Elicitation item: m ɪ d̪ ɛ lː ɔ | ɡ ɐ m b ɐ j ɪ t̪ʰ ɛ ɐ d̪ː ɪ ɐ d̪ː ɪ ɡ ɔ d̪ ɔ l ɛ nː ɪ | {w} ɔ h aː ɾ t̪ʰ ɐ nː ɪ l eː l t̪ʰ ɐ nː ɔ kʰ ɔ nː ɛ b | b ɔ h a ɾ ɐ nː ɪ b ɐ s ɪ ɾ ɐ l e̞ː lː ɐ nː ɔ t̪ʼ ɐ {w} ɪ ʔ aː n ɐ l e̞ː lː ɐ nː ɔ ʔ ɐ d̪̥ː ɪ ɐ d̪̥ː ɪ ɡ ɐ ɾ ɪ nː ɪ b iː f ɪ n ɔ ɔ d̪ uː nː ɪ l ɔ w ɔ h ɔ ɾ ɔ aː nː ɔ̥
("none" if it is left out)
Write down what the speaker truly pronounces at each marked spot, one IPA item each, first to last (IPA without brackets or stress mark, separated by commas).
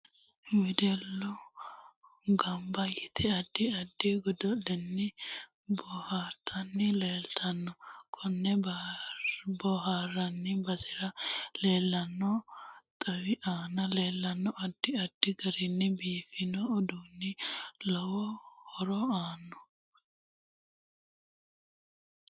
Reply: b, w